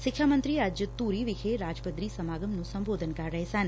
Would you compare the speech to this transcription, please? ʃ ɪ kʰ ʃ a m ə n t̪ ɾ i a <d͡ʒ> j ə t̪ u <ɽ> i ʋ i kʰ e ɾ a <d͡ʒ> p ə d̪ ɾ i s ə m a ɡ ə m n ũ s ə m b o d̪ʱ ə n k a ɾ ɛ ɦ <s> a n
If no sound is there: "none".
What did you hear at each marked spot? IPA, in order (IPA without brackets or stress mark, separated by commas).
d͡ʒ, ɾ, d͡ʒ, s